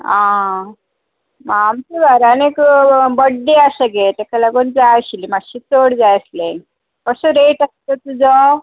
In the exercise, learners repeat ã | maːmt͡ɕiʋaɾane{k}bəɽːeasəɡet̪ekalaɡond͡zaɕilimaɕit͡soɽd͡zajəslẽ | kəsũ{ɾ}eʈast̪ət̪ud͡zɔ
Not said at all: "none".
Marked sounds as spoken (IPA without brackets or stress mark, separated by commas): k, ɾ